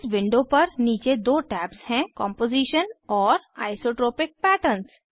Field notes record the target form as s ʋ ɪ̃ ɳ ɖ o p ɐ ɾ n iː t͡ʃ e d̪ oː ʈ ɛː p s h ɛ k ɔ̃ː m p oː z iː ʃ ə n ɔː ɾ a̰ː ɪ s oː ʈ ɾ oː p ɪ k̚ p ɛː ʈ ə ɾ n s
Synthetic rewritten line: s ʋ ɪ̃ ɳ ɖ o p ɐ ɾ n iː t͡ʃ e d̪ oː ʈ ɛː p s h ɛ̃ k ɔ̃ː m p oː z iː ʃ ə n ɔː ɾ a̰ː ɪ s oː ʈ ɾ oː p ɪ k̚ p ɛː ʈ ə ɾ n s